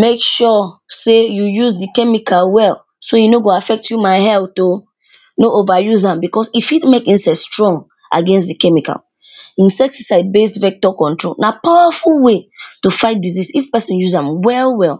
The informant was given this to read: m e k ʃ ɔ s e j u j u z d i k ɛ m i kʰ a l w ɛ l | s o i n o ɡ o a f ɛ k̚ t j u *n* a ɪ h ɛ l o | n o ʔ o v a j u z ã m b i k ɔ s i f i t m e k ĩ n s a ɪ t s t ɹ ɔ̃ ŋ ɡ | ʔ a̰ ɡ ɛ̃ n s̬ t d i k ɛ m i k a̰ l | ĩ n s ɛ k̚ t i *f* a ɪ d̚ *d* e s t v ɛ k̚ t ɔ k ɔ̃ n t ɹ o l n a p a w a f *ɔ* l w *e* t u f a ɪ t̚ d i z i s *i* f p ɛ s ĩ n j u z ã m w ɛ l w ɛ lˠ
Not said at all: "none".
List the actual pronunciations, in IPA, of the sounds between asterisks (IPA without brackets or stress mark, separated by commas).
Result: m, s, b, u, e, i